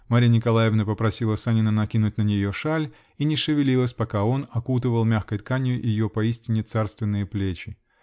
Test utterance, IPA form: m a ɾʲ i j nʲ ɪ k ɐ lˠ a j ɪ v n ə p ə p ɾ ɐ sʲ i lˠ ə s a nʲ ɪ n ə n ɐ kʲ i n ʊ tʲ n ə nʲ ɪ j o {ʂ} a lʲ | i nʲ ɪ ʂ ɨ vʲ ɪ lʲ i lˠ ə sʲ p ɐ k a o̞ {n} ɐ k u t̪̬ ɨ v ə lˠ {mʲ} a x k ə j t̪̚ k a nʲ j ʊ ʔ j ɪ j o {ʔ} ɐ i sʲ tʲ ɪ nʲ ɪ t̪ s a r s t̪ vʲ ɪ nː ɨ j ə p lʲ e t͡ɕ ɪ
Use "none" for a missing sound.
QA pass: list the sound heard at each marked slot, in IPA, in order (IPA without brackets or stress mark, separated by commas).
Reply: ʂ, n, mʲ, p